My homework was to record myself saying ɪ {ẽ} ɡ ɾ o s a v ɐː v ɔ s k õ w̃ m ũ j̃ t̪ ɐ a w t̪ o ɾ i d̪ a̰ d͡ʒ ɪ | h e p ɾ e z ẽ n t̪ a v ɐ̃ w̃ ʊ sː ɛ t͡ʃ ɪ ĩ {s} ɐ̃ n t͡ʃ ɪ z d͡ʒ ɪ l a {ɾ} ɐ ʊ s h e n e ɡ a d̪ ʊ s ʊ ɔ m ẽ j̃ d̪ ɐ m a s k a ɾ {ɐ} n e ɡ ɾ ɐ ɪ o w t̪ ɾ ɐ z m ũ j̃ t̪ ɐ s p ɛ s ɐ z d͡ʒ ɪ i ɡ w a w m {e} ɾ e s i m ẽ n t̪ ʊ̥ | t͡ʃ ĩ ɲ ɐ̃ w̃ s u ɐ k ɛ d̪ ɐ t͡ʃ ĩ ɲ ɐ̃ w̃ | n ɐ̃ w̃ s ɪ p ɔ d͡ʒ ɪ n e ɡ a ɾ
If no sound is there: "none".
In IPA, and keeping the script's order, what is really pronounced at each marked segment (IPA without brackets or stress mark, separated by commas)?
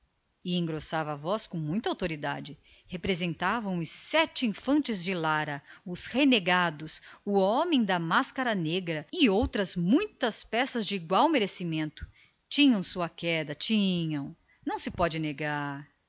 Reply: ẽ, f, ɾ, ɐ, e